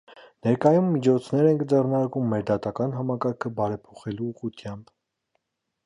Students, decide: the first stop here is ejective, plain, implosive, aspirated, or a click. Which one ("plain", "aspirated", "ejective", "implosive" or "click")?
plain